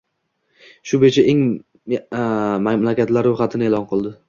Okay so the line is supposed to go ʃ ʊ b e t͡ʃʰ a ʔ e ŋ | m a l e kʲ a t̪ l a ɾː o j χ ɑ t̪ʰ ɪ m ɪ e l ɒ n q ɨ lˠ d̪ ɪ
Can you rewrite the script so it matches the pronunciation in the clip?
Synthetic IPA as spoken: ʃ ʊ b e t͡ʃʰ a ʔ e ŋ | m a l a kʲ a t̪ l a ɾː o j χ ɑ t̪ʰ ɪ n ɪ e l ɒ n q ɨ lˠ d̪ ɪ